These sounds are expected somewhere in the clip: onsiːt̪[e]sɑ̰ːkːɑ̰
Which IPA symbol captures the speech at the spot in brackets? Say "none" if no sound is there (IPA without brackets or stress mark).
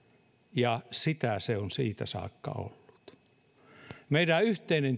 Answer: æ